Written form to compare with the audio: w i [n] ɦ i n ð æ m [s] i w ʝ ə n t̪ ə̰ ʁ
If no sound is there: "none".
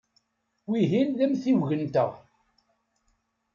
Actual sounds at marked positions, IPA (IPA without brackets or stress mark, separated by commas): none, θ